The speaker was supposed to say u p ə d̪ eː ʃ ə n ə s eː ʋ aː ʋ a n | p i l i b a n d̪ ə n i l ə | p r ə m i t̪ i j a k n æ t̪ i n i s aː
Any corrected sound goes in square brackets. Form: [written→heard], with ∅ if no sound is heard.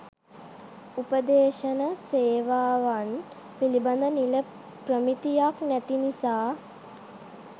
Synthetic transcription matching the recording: u p ə d̪ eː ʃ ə n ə s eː ʋ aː ʋ a n | p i l i b a n d̪ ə n i l ə | p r ə m i t̪ i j a k n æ t̪ i n i s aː